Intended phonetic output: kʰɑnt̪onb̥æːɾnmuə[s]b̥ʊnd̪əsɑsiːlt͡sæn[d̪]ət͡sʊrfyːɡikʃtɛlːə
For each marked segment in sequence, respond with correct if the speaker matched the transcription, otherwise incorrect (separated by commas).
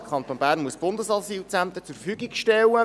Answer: correct, incorrect